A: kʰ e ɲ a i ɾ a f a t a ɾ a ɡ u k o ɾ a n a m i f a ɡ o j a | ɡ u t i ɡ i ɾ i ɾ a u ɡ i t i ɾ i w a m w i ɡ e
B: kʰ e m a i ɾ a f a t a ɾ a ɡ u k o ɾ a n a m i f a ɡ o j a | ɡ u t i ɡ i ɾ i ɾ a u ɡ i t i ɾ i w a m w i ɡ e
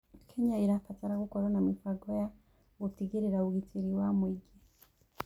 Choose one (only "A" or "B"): A